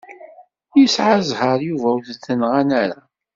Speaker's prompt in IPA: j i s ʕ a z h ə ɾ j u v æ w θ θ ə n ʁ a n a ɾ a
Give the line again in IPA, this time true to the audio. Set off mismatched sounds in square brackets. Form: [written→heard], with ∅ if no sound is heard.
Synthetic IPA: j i s ʕ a z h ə ɾ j u v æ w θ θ ə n ʁ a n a ɾ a